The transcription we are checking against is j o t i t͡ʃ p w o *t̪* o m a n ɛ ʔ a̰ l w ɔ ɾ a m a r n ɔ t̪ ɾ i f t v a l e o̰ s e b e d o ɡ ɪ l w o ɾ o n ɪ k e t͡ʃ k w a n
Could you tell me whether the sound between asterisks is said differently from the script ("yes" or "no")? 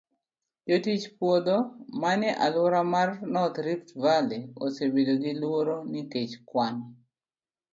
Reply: yes